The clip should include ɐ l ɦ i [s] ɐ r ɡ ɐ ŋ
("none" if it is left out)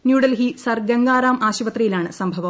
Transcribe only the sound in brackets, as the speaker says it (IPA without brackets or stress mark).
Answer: s